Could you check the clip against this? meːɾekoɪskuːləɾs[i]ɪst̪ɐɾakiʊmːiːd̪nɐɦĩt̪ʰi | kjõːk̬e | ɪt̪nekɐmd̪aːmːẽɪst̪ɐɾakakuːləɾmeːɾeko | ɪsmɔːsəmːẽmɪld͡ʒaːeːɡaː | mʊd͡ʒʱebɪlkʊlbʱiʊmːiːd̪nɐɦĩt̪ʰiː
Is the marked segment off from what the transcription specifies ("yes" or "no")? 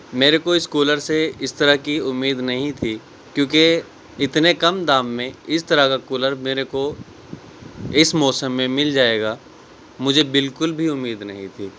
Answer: yes